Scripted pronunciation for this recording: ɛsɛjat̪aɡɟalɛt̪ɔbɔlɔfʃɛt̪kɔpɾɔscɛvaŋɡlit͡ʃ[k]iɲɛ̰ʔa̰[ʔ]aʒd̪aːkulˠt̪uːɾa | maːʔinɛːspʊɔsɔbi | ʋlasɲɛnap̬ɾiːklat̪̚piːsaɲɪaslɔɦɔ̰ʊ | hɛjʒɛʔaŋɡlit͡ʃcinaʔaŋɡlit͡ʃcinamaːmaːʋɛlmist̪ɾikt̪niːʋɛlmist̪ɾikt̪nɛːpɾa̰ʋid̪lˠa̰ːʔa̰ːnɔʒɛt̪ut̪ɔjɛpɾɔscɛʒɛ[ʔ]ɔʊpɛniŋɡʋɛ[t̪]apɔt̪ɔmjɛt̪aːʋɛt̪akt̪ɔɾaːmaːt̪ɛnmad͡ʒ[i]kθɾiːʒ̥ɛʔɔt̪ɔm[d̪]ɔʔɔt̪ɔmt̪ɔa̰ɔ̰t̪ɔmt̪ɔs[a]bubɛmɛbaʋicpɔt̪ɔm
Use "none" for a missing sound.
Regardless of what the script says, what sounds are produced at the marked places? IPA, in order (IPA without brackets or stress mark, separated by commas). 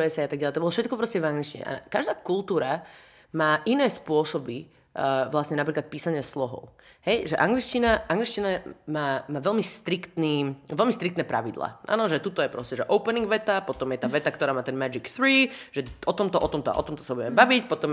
c, k, ʔ, t̪, i, t̪, a